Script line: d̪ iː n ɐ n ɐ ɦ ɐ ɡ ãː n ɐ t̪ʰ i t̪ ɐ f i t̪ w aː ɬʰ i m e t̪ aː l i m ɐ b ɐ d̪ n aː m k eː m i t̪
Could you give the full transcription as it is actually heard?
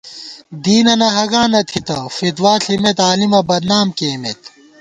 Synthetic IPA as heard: d̪ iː n ɐ n ɐ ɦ ɐ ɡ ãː n ɐ t̪ʰ i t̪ ɐ f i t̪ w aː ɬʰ i m e t̪ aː l i m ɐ b ɐ d̪ n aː m k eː m e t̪